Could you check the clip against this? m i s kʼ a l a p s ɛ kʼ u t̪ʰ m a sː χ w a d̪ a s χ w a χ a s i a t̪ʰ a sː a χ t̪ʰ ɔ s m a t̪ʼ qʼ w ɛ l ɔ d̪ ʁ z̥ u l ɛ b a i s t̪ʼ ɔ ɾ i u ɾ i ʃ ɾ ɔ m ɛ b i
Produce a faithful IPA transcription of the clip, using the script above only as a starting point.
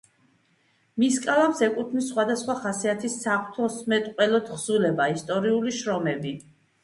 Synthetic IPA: m i s kʼ a l a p s ɛ kʼ u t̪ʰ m i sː χ w a d̪ a s χ w a χ a s i a t̪ʰ i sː a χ t̪ʰ ɔ s m ɛ t̪ʼ qʼ w ɛ l ɔ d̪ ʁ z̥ u l ɛ b a i s t̪ʼ ɔ ɾ i u l i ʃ ɾ ɔ m ɛ b i